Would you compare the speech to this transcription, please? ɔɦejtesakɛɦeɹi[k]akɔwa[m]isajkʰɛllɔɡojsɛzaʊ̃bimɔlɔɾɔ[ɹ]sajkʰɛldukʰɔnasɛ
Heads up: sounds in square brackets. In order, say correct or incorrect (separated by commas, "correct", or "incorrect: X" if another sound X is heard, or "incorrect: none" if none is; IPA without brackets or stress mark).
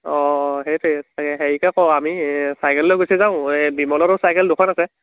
correct, correct, incorrect: none